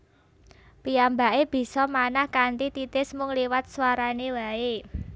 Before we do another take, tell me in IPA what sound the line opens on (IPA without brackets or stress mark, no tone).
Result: p